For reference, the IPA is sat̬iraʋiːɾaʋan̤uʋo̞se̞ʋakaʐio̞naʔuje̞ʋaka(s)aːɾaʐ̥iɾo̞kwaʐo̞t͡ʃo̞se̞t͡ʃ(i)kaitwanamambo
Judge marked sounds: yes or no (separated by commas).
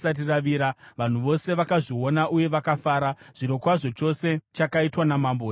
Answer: no, no